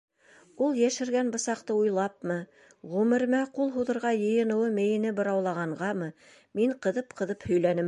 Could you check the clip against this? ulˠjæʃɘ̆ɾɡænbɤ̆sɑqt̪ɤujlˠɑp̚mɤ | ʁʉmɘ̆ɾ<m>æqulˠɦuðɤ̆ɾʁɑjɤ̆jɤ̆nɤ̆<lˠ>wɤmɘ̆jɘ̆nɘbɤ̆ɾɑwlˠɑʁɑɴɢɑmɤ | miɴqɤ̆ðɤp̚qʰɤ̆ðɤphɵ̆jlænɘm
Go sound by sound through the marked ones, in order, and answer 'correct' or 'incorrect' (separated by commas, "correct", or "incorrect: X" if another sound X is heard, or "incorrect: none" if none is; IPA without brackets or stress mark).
correct, incorrect: none